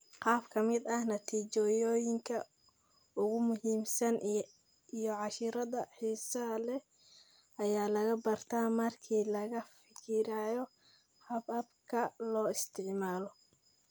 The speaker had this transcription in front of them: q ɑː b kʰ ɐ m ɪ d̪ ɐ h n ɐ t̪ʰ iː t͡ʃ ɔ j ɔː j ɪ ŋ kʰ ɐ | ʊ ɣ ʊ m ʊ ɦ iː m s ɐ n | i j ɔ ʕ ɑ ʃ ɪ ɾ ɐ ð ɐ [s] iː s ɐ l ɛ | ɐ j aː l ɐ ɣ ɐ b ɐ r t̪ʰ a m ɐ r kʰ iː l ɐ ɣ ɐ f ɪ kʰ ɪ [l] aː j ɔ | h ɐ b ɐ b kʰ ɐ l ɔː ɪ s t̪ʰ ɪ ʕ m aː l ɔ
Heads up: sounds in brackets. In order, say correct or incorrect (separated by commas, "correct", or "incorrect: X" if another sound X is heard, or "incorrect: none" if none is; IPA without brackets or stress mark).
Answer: incorrect: ħ, incorrect: ɾ